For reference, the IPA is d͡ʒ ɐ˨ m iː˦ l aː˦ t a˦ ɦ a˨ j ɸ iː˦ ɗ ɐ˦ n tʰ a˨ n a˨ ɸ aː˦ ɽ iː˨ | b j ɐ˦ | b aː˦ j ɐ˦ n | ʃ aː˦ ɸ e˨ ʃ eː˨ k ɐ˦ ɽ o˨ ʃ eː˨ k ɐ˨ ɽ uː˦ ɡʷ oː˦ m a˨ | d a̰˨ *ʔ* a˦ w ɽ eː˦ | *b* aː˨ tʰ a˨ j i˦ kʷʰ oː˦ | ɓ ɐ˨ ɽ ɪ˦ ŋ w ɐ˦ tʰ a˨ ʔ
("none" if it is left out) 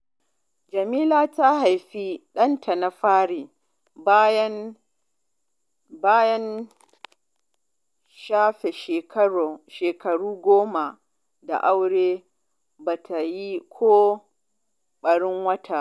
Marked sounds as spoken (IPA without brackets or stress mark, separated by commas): ʔ, b